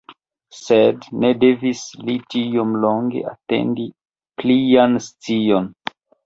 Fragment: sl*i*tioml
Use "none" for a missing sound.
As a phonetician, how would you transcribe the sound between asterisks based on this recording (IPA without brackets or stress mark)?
i